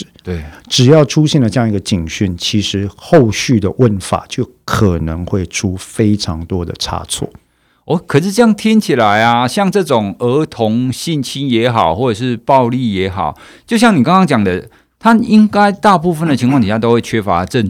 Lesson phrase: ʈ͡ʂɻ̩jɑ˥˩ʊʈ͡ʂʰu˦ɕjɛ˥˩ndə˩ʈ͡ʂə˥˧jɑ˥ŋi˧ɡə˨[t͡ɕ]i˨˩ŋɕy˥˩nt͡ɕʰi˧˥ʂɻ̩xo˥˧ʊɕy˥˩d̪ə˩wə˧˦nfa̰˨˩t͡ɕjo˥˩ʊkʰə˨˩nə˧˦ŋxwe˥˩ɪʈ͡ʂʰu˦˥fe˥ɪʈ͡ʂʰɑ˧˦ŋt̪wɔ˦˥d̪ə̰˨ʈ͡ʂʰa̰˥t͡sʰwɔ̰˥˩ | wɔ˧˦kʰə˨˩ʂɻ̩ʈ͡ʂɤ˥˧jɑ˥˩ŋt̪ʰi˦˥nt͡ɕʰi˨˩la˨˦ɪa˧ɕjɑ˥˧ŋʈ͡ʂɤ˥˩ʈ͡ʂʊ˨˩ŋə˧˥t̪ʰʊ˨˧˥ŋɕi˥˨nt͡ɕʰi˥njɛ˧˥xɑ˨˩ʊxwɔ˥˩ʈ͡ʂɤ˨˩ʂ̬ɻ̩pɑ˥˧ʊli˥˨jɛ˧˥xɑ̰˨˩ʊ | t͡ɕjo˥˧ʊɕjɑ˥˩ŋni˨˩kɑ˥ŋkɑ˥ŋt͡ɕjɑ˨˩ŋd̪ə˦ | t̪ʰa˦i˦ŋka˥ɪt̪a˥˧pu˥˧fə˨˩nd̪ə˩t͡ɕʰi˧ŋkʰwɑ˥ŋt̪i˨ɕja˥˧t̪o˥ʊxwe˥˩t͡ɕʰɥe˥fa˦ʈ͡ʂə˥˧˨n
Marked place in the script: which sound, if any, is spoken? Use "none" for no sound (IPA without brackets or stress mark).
t͡ɕ